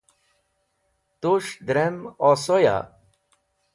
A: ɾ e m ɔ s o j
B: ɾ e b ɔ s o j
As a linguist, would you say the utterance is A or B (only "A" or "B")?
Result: A